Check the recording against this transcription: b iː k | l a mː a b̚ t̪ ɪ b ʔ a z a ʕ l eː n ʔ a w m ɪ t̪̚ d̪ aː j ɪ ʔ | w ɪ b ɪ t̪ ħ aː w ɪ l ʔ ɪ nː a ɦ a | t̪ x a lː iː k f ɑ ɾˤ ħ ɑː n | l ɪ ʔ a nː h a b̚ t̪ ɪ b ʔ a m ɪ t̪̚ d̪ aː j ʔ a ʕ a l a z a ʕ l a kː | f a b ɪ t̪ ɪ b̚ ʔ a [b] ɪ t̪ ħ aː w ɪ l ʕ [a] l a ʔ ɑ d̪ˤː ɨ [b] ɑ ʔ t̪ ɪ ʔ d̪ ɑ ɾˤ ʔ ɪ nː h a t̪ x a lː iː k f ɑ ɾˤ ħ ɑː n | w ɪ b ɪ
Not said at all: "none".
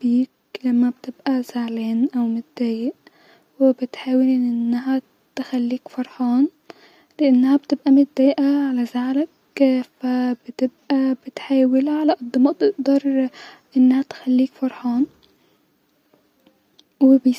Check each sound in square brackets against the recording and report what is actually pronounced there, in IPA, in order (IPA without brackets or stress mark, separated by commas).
b, a, m